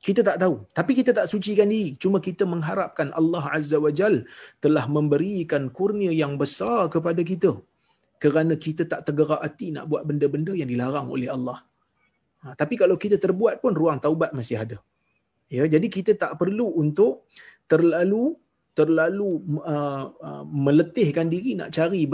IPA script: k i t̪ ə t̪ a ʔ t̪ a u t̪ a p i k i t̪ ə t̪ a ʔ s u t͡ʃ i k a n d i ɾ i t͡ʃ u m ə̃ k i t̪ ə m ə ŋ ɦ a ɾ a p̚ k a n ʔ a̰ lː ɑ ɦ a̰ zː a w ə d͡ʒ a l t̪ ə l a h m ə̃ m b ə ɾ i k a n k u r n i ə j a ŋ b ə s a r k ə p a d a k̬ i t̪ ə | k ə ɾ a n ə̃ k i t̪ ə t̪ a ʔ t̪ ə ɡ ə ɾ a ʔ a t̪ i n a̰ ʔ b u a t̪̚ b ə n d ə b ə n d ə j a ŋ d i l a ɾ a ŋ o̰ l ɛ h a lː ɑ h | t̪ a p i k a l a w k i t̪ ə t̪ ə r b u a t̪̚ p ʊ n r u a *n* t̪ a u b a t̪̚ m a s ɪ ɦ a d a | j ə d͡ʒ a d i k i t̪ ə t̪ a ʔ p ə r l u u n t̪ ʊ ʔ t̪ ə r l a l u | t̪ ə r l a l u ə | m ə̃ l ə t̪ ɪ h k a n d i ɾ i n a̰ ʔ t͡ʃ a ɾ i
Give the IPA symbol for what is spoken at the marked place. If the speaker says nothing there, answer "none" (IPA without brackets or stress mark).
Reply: ŋ